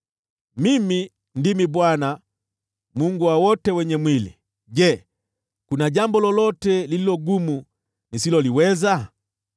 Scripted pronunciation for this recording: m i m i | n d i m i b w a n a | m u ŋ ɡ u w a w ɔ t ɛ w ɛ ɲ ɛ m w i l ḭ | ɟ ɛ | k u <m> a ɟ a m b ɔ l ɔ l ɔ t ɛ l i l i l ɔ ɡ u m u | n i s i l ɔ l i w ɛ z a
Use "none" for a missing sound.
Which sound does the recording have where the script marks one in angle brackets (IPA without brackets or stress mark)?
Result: n